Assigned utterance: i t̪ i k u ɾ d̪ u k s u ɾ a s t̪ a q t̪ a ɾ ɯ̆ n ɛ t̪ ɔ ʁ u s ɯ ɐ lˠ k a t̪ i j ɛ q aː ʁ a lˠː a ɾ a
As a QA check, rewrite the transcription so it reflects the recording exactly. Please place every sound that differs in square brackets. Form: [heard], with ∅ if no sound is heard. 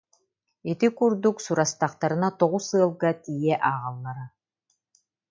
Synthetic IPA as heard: i t̪ i k u ɾ d̪ u k s u ɾ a s t̪ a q t̪ a ɾ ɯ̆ n [a] t̪ ɔ ʁ u s ɯ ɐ lˠ [ɡ] a t̪ i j ɛ [ʔ] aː ʁ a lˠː a ɾ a

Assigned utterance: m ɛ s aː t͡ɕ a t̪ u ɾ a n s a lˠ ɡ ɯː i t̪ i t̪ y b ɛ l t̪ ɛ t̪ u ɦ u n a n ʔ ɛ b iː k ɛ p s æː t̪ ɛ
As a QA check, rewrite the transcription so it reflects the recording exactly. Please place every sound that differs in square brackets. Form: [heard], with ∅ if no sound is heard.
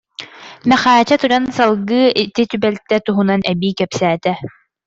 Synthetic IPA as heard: m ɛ [χ] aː t͡ɕ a t̪ u ɾ a n s a lˠ ɡ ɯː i t̪ i t̪ y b ɛ l t̪ ɛ t̪ u ɦ u n a n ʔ ɛ b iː k ɛ p s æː t̪ ɛ

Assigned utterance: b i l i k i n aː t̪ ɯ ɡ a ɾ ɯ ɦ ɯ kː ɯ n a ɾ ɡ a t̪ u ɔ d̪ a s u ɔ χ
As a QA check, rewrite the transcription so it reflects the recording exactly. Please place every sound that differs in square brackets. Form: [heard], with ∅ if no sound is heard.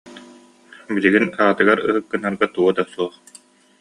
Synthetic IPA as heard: b i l i [ɡ] i n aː t̪ ɯ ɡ a ɾ ɯ ɦ ɯ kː ɯ n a ɾ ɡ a t̪ u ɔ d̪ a s u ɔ χ

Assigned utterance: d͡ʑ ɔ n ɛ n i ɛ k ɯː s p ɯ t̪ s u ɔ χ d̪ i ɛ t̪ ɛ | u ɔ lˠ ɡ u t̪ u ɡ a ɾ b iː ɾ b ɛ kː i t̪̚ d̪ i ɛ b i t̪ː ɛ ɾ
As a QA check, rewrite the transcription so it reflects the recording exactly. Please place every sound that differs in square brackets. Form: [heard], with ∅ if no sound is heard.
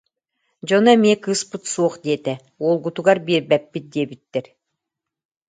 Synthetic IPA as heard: d͡ʑ ɔ n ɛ [m] i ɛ k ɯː s p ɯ t̪ s u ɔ χ d̪ i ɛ t̪ ɛ | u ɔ lˠ ɡ u t̪ u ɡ a ɾ b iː ɾ b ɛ [pː] i t̪̚ d̪ i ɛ b i t̪ː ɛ ɾ

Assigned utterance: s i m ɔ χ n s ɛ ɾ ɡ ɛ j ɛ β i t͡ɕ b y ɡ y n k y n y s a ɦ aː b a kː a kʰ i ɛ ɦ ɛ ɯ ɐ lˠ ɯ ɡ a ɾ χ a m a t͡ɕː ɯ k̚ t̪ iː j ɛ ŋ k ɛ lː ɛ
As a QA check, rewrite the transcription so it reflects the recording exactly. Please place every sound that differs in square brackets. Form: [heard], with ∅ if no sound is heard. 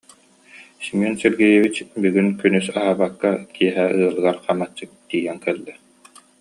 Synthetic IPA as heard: s i m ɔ [∅] n s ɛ ɾ ɡ ɛ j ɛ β i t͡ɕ b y ɡ y n k y n y s a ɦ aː b a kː a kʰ i ɛ ɦ ɛ ɯ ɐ lˠ ɯ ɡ a ɾ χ a m a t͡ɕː ɯ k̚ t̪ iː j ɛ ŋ k ɛ lː ɛ

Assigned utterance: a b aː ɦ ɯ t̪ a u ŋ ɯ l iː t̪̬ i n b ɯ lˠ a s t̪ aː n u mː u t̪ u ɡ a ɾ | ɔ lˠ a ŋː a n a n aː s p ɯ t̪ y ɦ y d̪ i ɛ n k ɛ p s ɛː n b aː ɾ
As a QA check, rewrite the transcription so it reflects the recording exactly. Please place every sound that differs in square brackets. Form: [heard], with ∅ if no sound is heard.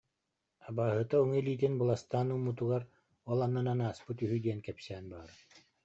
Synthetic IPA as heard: a b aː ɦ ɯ t̪ a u ŋ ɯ l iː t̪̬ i n b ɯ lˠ a s t̪ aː n u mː u t̪ u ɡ a ɾ | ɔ lˠ a [nː] a n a n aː s p ɯ t̪ y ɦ y d̪ i ɛ n k ɛ p s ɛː n b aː ɾ

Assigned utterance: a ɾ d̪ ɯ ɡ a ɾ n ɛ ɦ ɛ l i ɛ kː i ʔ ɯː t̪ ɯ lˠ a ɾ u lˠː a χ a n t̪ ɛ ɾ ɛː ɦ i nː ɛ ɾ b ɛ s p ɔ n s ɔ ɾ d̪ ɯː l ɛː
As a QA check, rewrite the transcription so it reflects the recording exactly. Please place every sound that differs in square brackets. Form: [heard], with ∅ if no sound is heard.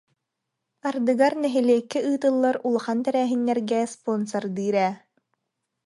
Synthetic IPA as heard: a ɾ d̪ ɯ ɡ a ɾ n ɛ ɦ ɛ l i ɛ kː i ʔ ɯː t̪ ɯ [lˠː] a ɾ u [lˠ] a χ a n t̪ ɛ ɾ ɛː ɦ i nː ɛ ɾ [ɡ] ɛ s p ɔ n s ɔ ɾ d̪ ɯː [ɾ] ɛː

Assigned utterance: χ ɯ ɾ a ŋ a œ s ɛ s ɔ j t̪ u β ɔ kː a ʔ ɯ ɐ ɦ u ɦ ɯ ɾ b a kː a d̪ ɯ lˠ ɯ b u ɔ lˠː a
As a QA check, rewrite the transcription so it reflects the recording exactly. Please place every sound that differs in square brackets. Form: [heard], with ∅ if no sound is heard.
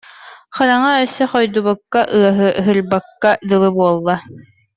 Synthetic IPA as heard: χ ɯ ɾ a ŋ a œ s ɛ [χ] ɔ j [d̪] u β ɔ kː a ʔ ɯ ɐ ɦ [ɯ] ɦ ɯ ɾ b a kː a d̪ ɯ lˠ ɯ b u ɔ lˠː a

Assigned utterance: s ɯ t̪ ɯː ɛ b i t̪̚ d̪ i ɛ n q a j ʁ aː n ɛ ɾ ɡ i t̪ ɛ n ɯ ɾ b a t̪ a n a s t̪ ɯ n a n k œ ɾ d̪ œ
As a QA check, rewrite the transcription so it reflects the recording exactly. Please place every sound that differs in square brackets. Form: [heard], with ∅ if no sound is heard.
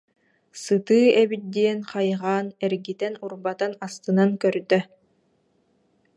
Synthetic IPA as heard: s ɯ t̪ ɯː ɛ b i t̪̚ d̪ i ɛ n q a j ʁ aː n ɛ ɾ ɡ i t̪ ɛ n [u] ɾ b a t̪ a n a s t̪ ɯ n a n k œ ɾ d̪ œ

